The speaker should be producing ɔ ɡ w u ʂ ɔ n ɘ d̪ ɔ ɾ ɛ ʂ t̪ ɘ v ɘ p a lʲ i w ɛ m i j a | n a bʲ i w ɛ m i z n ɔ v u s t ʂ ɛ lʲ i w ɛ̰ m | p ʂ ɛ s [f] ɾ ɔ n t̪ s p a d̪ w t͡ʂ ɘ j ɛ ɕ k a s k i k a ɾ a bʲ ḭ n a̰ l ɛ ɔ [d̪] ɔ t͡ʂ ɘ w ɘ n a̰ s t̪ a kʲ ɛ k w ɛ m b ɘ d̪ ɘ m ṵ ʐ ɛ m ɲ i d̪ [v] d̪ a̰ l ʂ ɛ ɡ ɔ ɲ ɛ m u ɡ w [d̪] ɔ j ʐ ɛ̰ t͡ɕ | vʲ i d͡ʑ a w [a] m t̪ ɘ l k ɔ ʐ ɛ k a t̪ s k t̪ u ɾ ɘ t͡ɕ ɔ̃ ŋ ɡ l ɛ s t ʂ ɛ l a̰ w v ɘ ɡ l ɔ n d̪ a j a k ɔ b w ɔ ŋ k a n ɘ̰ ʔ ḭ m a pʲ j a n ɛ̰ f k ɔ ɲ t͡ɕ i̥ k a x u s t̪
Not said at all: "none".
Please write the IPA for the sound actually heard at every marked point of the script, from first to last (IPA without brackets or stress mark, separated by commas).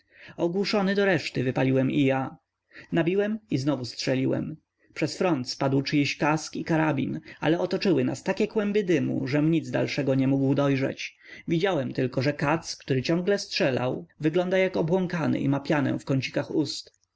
f, t̪, z, d̪, ɛ